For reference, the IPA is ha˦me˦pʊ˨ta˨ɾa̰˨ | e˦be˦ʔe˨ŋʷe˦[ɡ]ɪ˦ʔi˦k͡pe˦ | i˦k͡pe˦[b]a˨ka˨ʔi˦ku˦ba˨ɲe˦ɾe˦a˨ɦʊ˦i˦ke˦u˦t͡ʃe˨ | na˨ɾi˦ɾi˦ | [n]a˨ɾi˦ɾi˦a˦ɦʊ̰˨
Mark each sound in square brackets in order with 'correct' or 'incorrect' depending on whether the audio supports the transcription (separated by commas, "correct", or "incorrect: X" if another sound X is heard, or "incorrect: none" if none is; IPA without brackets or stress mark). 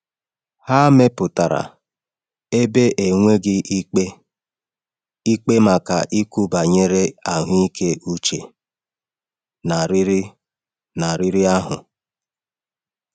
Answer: correct, incorrect: m, correct